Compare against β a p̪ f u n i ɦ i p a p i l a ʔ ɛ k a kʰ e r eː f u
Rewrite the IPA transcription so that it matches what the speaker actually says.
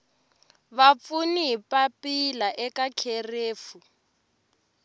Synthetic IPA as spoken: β a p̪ f u n i ɦ i p a p i l a ʔ ɛ k a kʰ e r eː f u